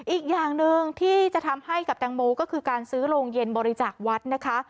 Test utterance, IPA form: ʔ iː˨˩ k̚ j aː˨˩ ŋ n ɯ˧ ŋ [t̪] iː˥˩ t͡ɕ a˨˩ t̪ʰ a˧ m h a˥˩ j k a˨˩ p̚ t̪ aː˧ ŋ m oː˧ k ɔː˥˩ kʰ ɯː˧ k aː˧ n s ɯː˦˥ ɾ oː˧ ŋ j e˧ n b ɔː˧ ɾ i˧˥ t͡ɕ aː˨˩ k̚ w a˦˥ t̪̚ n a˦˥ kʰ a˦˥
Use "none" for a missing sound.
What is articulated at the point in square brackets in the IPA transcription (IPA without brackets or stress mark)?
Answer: t̪ʰ